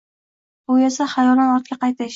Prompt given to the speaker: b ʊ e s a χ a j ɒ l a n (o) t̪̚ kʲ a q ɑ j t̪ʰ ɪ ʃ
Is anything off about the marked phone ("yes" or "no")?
yes